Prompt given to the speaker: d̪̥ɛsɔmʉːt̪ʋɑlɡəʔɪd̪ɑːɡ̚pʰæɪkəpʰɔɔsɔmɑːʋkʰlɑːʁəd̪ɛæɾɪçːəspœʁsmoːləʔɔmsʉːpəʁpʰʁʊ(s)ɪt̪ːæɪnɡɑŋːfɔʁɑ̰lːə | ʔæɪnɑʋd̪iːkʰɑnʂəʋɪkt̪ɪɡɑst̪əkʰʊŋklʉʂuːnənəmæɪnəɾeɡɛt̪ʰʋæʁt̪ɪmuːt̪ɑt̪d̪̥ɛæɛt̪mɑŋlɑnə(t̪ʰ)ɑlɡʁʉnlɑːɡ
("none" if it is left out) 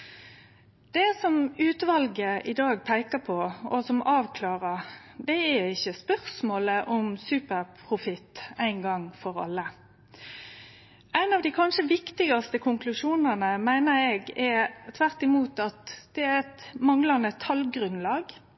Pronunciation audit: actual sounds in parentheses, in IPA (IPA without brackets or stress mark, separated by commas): f, t̪ʰ